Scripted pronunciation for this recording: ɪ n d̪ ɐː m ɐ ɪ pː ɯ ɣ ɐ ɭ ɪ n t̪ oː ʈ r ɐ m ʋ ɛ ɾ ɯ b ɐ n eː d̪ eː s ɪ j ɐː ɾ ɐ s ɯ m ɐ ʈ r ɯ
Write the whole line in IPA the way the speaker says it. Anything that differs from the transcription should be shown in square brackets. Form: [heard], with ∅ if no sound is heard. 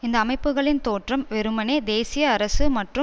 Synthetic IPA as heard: ɪ n d̪ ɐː m ɐ ɪ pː ɯ ɣ ɐ ɭ ɪ n t̪ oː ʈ r ɐ m ʋ ɛ ɾ ɯ [m] ɐ n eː d̪ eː s ɪ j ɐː ɾ ɐ s ɯ m ɐ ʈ r ɯ